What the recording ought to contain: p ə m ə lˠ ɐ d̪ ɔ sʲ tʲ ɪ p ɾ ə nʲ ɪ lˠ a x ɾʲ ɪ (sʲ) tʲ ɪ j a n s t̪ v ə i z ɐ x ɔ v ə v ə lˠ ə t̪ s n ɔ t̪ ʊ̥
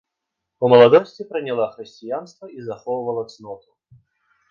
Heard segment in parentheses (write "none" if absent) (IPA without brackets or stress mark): sʲ